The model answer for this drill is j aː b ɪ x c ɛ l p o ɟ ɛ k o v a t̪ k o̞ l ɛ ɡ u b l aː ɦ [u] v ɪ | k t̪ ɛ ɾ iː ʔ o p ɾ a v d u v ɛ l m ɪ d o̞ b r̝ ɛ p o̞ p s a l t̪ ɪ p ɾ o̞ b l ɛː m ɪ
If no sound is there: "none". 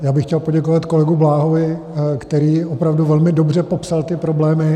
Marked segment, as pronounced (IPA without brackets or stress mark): o